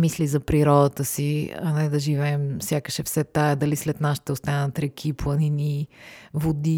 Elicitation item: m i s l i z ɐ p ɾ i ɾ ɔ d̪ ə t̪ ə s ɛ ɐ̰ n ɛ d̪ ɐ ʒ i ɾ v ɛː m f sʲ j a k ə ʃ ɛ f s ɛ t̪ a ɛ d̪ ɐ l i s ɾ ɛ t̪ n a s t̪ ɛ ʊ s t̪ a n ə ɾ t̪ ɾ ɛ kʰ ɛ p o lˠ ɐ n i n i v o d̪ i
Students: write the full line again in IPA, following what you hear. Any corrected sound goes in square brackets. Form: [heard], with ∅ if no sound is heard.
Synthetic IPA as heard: m i s l i z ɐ p ɾ i ɾ ɔ d̪ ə t̪ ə s [i] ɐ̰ n ɛ d̪ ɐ ʒ i [∅] v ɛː m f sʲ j a k ə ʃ ɛ f s ɛ t̪ a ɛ d̪ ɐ l i s [l] ɛ t̪ n a s t̪ ɛ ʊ s t̪ a n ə [∅] t̪ ɾ ɛ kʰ [i] p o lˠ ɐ n i n i v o d̪ i